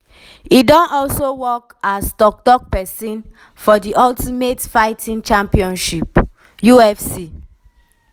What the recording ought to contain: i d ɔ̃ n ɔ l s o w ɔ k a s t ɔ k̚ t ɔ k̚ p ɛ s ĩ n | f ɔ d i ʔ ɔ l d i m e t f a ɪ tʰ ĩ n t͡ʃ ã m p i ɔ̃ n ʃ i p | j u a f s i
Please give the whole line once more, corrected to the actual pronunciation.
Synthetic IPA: i d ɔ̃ n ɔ l s o w ɔ k a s t ɔ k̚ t ɔ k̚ p ɛ s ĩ n | f ɔ d i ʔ ɔ l t i m e t f a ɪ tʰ ĩ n t͡ʃ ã m p i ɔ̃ n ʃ i p | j u ɛ f s i